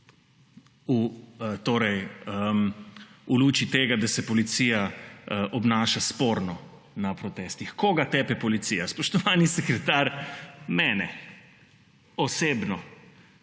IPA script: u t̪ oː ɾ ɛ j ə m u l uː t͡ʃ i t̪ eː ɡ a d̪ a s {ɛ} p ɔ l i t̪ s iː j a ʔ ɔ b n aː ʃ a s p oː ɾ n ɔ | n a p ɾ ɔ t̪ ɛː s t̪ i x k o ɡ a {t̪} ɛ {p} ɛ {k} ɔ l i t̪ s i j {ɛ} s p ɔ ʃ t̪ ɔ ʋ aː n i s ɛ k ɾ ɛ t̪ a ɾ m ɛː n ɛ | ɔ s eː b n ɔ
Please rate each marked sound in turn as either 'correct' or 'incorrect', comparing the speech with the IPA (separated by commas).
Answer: correct, correct, correct, incorrect, incorrect